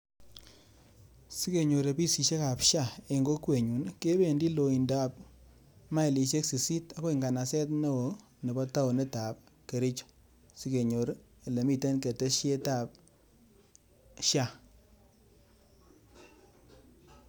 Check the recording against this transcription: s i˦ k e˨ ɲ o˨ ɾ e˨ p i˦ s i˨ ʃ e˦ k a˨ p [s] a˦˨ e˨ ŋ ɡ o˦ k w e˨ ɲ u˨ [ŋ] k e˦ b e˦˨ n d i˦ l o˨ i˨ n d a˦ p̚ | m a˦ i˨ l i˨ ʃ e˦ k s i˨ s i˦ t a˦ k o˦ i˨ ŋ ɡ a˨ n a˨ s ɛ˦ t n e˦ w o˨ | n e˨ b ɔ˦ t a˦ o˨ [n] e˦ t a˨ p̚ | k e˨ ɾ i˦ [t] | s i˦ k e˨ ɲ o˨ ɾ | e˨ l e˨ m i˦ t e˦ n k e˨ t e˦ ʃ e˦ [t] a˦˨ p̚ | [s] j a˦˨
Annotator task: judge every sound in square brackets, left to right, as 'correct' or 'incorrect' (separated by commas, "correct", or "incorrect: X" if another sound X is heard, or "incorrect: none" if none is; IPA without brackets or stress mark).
incorrect: ʃ, incorrect: n, correct, incorrect: t͡ʃ, correct, incorrect: ʃ